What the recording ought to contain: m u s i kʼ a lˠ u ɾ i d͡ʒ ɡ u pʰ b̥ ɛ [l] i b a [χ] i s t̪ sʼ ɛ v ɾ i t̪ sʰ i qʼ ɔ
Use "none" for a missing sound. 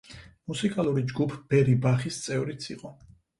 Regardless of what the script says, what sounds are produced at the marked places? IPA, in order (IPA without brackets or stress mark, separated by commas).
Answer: ɾ, χ